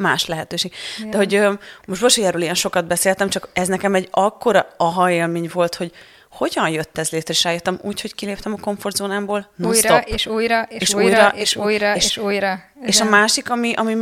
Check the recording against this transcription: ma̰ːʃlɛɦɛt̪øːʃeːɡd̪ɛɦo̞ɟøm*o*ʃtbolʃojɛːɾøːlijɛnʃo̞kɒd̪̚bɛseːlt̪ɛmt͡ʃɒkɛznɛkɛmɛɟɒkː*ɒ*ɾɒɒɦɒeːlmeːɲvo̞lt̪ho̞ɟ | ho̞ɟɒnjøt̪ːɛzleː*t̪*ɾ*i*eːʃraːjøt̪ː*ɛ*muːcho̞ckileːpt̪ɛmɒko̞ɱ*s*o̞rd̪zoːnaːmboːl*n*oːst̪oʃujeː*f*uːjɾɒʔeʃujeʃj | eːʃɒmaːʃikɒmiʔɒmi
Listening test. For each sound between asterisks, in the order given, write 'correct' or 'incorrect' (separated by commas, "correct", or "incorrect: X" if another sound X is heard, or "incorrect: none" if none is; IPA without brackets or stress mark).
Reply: correct, incorrect: o, correct, incorrect: ɛ, correct, incorrect: f, correct, incorrect: ʃ